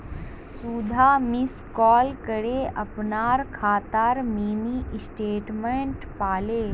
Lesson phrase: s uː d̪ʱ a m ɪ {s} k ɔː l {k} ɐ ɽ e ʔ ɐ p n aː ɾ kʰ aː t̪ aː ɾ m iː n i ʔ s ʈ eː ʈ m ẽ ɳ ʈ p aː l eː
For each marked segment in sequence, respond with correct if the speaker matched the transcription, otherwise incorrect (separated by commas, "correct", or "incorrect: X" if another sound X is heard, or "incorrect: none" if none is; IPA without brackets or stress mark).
correct, correct